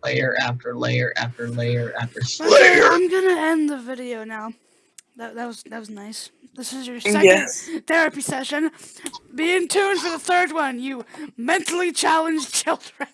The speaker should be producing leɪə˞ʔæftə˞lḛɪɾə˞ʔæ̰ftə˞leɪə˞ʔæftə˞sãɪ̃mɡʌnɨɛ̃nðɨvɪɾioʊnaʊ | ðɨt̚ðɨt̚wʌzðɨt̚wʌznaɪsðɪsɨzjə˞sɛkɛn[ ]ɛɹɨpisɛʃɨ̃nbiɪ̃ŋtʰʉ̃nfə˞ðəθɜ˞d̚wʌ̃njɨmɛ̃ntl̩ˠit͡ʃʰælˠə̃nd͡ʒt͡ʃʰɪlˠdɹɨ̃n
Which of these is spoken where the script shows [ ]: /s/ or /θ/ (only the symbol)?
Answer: θ